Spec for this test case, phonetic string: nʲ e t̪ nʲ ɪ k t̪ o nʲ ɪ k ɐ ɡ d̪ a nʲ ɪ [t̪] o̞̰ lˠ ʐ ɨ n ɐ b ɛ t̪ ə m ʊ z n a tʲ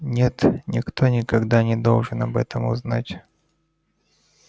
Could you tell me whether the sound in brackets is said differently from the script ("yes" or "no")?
yes